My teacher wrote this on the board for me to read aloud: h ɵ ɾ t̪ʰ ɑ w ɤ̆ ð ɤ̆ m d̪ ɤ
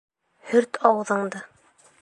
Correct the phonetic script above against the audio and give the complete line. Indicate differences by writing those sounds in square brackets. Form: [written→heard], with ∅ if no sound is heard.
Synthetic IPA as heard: h ɵ ɾ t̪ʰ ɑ w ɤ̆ ð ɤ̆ [m→ɴ] d̪ ɤ